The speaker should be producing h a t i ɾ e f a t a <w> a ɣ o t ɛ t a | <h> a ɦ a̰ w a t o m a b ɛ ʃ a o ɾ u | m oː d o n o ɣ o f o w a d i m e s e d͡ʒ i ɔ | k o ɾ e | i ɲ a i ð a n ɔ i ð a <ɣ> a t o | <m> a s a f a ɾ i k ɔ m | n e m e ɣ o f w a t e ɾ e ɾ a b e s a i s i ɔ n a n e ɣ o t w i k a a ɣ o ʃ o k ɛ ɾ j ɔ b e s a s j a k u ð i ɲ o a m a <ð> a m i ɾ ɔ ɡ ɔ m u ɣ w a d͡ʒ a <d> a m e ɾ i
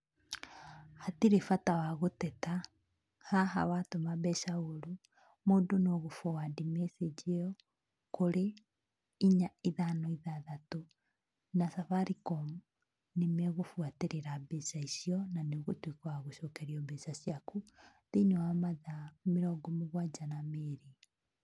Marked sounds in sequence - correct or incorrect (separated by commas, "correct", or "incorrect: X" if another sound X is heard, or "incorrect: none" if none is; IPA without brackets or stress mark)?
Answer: correct, correct, incorrect: ð, incorrect: n, correct, incorrect: n